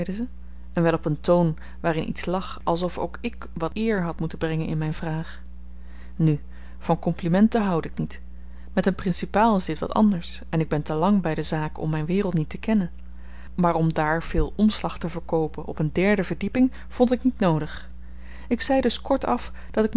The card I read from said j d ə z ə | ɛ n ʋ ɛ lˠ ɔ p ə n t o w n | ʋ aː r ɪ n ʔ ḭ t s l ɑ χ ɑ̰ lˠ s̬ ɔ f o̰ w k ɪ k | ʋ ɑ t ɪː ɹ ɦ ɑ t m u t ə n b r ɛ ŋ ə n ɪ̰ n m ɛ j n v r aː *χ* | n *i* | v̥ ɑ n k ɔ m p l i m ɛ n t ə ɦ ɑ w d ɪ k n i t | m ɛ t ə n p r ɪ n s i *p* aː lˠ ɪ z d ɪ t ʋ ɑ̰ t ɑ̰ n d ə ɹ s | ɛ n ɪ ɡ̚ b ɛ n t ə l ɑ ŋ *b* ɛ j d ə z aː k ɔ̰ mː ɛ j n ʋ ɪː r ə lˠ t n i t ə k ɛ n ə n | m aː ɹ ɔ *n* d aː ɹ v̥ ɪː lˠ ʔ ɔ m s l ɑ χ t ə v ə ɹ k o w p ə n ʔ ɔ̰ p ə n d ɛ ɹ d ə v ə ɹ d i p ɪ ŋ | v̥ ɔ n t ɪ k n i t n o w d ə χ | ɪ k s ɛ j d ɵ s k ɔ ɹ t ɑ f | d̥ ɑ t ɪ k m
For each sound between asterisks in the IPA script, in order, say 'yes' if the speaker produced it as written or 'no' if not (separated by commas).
yes, no, yes, yes, no